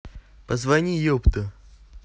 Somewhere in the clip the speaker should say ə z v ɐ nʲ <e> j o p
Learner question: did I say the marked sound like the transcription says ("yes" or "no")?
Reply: no